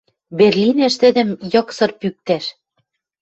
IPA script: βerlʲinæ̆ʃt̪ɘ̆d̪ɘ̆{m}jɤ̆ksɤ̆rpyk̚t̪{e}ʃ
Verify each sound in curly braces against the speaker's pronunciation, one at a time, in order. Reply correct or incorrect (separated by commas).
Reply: correct, incorrect